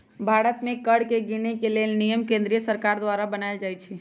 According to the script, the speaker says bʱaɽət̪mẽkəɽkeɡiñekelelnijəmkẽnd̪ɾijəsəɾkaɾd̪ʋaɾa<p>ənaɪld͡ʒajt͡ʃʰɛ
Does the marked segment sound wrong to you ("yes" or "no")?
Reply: yes